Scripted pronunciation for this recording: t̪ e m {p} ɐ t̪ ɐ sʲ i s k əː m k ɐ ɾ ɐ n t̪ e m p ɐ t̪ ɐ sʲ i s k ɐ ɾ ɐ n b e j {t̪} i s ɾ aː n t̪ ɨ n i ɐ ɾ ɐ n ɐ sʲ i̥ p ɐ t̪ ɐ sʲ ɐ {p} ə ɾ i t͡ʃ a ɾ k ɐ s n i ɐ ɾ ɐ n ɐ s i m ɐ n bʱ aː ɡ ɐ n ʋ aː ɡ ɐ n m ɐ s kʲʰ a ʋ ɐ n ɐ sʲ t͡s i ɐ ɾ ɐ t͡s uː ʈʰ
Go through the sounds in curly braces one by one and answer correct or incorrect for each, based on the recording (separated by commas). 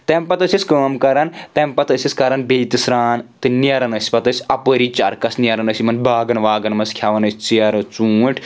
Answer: correct, correct, correct